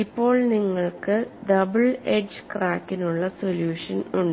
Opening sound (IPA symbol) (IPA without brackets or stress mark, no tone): i